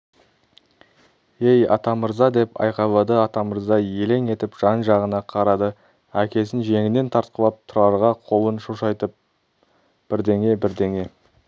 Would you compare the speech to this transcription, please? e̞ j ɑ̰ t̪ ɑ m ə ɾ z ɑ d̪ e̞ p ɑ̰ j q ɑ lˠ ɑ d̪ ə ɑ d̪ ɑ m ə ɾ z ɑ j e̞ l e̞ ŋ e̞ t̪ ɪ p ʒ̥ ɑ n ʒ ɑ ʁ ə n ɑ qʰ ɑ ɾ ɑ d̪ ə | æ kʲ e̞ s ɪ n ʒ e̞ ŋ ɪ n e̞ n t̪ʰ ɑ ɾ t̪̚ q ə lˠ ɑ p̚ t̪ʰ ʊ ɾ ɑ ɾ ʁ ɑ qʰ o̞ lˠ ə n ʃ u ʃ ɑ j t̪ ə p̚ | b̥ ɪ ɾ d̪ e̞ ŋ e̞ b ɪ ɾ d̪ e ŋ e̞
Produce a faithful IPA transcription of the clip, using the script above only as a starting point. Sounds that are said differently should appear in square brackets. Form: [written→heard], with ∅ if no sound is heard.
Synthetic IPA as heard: e̞ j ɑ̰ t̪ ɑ m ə ɾ z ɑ d̪ e̞ p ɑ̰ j q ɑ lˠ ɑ d̪ ə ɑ [d̪→t̪] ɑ m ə ɾ z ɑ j e̞ l e̞ ŋ e̞ t̪ ɪ p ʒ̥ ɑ n ʒ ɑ ʁ ə n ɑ qʰ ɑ ɾ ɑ d̪ ə | æ kʲ e̞ s ɪ n ʒ e̞ ŋ ɪ n e̞ n t̪ʰ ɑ ɾ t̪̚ q ə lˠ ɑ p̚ t̪ʰ ʊ ɾ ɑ ɾ ʁ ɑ qʰ o̞ lˠ ə n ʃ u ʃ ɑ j t̪ ə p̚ | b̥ ɪ ɾ d̪ e̞ ŋ e̞ b ɪ ɾ d̪ e ŋ e̞

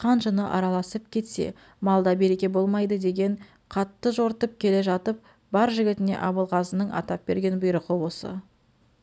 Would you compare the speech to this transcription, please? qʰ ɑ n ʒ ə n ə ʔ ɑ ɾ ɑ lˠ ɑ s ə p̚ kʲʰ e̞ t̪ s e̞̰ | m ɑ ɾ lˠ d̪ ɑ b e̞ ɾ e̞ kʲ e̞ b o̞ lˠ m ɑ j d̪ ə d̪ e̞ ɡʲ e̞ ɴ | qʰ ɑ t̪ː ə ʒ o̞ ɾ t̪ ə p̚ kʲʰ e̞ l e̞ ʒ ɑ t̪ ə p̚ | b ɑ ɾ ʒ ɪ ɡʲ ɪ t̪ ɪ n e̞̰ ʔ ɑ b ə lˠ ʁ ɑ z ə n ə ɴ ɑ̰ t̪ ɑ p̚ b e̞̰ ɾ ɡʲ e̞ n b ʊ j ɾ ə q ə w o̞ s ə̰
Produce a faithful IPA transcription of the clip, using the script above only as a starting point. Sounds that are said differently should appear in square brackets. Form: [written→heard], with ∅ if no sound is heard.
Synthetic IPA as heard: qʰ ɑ n ʒ ə n ə ʔ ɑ ɾ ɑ lˠ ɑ s ə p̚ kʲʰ e̞ t̪ s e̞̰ | m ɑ [ɾ→∅] lˠ d̪ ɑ b e̞ ɾ e̞ kʲ e̞ b o̞ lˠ m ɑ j d̪ ə d̪ e̞ ɡʲ e̞ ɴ | qʰ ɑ t̪ː ə ʒ o̞ ɾ t̪ ə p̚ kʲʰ e̞ l e̞ ʒ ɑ t̪ ə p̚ | b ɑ ɾ ʒ ɪ ɡʲ ɪ t̪ ɪ n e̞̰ ʔ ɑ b ə lˠ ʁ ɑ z ə n ə ɴ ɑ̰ t̪ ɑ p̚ b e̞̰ ɾ ɡʲ e̞ n b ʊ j ɾ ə q ə w o̞ s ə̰

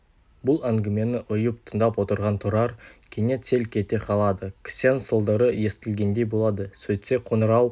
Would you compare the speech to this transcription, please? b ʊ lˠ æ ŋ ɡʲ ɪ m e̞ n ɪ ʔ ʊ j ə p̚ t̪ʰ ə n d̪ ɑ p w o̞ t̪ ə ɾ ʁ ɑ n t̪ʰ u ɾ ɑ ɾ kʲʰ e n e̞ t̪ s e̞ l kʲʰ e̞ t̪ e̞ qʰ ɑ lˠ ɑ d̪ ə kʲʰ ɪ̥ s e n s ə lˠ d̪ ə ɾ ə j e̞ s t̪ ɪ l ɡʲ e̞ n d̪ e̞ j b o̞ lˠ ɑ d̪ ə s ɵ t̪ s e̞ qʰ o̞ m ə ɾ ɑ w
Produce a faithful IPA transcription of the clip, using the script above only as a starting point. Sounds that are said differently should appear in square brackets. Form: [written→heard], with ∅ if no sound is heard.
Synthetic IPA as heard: b ʊ lˠ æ ŋ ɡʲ ɪ m e̞ n ɪ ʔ ʊ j ə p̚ t̪ʰ ə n d̪ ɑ p w o̞ t̪ ə ɾ ʁ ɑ n t̪ʰ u ɾ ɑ ɾ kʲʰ e n e̞ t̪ s e̞ l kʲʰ e̞ t̪ e̞ qʰ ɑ lˠ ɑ d̪ ə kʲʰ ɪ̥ s e n s ə lˠ d̪ ə ɾ ə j e̞ s t̪ ɪ l ɡʲ e̞ n d̪ e̞ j b o̞ lˠ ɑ d̪ ə s ɵ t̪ s e̞ qʰ o̞ [m→n] ə ɾ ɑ w

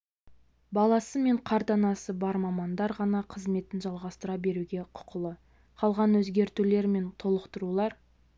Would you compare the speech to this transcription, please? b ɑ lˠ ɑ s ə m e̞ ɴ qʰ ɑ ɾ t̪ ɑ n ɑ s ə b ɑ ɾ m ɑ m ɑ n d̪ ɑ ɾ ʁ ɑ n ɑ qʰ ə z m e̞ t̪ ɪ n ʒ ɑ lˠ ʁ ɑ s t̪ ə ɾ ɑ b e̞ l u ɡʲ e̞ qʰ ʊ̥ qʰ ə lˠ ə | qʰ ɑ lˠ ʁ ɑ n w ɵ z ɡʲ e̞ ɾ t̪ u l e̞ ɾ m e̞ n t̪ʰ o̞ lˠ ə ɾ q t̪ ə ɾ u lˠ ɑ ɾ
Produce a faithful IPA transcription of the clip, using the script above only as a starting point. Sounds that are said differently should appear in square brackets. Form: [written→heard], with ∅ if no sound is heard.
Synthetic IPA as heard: b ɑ lˠ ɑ s ə m e̞ ɴ qʰ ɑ ɾ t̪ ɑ n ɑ s ə b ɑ ɾ m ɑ m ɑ n d̪ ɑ ɾ ʁ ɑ n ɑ qʰ ə z m e̞ t̪ ɪ n ʒ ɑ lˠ ʁ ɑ s t̪ ə ɾ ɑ b e̞ [l→ɾ] u ɡʲ e̞ qʰ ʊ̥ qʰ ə lˠ ə | qʰ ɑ lˠ ʁ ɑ n w ɵ z ɡʲ e̞ ɾ t̪ u l e̞ ɾ m e̞ n t̪ʰ o̞ lˠ ə [ɾ→∅] q t̪ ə ɾ u lˠ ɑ ɾ

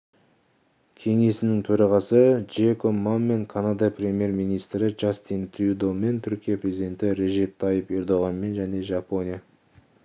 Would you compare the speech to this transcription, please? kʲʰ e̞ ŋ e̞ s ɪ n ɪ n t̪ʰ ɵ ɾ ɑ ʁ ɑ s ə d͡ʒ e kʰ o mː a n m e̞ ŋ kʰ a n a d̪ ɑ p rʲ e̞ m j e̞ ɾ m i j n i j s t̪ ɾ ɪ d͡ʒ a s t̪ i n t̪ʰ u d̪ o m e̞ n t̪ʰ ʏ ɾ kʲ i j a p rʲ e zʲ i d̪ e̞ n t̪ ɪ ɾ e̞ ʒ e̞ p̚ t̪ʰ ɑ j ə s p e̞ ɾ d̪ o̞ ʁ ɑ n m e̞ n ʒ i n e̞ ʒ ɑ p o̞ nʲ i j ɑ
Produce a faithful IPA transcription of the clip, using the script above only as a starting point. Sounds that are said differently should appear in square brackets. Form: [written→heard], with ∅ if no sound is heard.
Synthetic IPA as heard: kʲʰ e̞ ŋ e̞ s ɪ n ɪ [n→ŋ] t̪ʰ ɵ ɾ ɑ ʁ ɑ s ə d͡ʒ e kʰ o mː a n m e̞ ŋ kʰ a n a d̪ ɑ p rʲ e̞ m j e̞ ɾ m i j n i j s t̪ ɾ ɪ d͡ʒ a s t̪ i n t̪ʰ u d̪ o m e̞ n t̪ʰ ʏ ɾ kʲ i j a p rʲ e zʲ i d̪ e̞ n t̪ ɪ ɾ e̞ ʒ e̞ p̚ t̪ʰ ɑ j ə [s→∅] p e̞ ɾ d̪ o̞ ʁ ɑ n m e̞ n ʒ [i→æ] n e̞ ʒ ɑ p o̞ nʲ i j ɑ

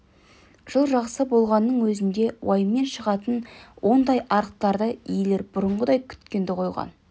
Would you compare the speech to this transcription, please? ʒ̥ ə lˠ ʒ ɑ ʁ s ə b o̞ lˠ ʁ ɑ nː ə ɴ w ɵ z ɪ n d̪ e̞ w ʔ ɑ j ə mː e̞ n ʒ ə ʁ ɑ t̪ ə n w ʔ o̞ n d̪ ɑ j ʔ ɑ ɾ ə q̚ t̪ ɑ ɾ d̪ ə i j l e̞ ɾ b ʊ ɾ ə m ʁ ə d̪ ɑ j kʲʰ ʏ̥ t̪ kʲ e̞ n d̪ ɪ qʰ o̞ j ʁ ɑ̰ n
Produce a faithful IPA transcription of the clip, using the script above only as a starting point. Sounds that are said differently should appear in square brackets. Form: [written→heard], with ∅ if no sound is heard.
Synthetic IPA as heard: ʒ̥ ə lˠ ʒ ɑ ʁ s ə b o̞ lˠ ʁ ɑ nː ə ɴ w ɵ z ɪ n d̪ e̞ w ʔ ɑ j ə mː e̞ n [ʒ→ʃ] ə ʁ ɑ t̪ ə n w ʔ o̞ n d̪ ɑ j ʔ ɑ ɾ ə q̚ t̪ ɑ ɾ d̪ ə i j l e̞ ɾ b ʊ ɾ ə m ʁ ə d̪ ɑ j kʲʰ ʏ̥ t̪ kʲ e̞ n d̪ ɪ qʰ o̞ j ʁ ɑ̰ n

